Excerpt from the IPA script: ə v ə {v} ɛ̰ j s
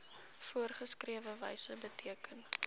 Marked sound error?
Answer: no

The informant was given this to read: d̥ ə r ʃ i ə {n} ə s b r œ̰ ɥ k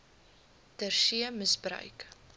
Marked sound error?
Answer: yes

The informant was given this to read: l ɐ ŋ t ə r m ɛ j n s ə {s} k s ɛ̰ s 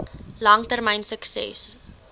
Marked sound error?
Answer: yes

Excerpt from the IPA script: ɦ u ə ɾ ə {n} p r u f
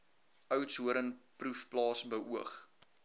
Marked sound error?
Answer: no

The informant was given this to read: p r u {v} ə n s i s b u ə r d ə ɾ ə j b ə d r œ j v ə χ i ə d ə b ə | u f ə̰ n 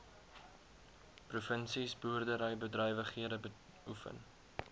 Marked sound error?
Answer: yes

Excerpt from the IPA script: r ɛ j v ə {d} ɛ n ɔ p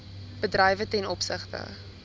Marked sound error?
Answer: yes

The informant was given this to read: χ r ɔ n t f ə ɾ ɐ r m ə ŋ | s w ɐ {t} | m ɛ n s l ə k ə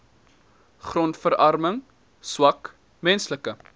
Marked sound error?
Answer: yes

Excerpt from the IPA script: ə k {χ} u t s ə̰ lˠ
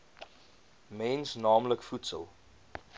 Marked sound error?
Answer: yes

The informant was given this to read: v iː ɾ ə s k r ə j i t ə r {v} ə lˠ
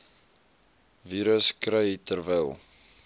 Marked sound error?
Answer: no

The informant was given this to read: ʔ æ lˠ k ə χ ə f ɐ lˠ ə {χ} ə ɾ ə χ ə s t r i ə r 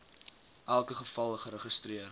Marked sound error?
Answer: no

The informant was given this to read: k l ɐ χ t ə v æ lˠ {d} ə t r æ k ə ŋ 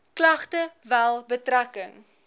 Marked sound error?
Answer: yes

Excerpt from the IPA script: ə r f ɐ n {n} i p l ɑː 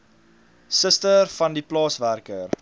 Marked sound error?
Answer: yes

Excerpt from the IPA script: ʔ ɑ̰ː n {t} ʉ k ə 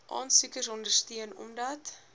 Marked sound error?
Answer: yes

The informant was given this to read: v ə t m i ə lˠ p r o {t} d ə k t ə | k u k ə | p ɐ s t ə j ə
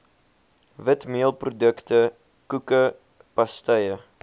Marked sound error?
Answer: yes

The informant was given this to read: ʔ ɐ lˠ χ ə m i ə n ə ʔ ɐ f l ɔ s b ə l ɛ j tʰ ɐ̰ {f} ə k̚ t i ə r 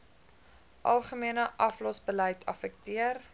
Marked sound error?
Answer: no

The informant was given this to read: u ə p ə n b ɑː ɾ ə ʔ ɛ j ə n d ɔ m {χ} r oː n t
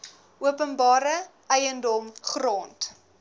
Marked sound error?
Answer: no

